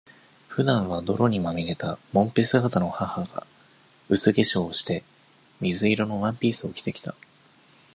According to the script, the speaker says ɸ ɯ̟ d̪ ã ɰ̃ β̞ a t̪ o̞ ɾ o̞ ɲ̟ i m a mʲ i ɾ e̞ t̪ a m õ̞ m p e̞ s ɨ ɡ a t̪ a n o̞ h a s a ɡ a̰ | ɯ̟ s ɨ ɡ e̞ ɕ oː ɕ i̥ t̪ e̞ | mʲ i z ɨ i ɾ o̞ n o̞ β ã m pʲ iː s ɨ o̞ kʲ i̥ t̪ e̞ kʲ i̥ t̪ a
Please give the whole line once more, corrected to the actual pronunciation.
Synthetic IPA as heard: ɸ ɯ̟ d̪ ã ɰ̃ β̞ a d̪ o̞ ɾ o̞ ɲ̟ i m a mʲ i ɾ e̞ t̪ a m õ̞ m p e̞ s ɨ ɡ a t̪ a n o̞ h a h a ɡ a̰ | ɯ̟ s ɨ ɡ e̞ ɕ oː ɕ i̥ t̪ e̞ | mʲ i z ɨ i ɾ o̞ n o̞ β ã m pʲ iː s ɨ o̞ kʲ i̥ t̪ e̞ kʲ i̥ t̪ a